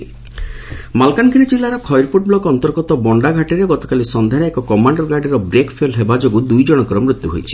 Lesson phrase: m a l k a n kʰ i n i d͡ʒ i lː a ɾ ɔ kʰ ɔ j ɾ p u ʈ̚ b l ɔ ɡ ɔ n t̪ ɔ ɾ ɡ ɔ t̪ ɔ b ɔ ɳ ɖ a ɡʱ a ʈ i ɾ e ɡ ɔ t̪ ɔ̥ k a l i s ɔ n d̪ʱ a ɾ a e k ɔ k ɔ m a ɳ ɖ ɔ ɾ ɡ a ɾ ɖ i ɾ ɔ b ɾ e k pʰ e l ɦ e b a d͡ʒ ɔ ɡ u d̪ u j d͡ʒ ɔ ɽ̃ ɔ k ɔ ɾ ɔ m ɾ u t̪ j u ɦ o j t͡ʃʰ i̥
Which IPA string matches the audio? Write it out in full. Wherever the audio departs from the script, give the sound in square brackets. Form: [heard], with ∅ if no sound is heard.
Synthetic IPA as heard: m a l k a n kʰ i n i d͡ʒ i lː a ɾ ɔ kʰ ɔ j ɾ p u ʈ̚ b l ɔ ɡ ɔ n t̪ ɔ ɾ ɡ ɔ t̪ ɔ b ɔ ɳ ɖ a ɡʱ a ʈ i ɾ e ɡ ɔ t̪ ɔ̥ k a l i s ɔ n d̪ʱ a ɾ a e k ɔ k ɔ m a ɳ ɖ ɔ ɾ ɡ a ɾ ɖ i ɾ ɔ b ɾ e k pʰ e l ɦ e b a d͡ʒ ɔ ɡ u d̪ u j d͡ʒ ɔ ɽ̃ ɔ k ɔ ɾ ɔ m ɾ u t̪ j u ɦ o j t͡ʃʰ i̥